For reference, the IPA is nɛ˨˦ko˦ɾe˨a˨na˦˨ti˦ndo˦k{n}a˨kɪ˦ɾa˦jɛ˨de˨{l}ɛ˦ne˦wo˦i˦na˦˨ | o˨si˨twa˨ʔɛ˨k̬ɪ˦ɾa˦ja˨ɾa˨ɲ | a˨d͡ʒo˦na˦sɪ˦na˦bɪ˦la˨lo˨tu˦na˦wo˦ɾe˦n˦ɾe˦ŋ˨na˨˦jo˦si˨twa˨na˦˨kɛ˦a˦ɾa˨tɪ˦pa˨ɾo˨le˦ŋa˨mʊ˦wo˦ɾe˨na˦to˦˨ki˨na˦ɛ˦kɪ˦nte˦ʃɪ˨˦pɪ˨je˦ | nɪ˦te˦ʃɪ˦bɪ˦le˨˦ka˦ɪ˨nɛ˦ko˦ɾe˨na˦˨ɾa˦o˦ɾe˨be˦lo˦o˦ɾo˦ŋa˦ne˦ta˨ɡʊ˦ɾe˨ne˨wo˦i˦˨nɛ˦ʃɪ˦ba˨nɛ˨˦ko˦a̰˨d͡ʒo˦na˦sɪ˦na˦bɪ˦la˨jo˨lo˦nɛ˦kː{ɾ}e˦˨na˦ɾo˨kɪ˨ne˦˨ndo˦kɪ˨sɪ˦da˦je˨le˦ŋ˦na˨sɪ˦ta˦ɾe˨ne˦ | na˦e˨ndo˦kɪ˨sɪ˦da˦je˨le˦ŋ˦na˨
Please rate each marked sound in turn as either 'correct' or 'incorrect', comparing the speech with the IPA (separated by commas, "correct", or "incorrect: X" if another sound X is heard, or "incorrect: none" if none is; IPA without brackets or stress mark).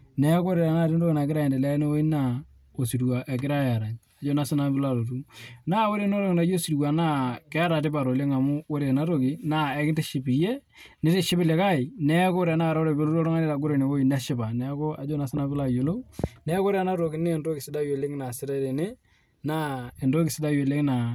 correct, correct, correct